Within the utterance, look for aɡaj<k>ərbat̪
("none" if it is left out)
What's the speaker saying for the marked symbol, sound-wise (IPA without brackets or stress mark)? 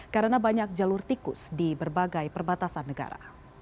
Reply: p